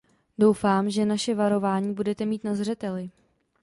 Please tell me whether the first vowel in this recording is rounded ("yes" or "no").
yes